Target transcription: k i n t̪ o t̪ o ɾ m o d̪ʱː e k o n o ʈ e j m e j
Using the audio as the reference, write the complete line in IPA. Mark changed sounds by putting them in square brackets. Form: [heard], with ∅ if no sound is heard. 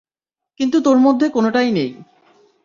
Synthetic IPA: k i n t̪ [u] t̪ o ɾ m o d̪ʱː e k o n o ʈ [a] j [n] e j